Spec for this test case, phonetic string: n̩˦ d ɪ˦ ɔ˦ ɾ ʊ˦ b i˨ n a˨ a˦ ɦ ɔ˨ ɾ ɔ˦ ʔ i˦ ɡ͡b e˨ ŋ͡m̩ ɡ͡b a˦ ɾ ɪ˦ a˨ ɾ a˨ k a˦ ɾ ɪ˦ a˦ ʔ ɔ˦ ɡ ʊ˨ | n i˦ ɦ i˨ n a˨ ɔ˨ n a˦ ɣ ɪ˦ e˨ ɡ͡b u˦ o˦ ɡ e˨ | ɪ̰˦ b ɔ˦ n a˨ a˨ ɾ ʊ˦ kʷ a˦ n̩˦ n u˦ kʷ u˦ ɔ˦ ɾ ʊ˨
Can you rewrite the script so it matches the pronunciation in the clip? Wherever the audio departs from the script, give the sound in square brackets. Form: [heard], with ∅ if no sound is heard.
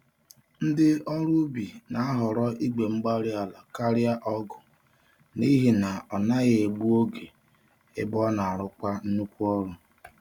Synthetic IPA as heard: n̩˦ d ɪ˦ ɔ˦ ɾ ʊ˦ b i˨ n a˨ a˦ ɦ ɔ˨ ɾ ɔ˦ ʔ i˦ ɡ͡b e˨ ŋ͡m̩ ɡ͡b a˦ ɾ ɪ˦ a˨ [l] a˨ k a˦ ɾ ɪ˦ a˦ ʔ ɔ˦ ɡ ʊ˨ | n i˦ ɦ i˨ n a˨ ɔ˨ n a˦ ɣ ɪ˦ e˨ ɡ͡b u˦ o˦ ɡ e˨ | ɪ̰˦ b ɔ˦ n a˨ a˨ ɾ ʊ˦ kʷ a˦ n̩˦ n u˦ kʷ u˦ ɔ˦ ɾ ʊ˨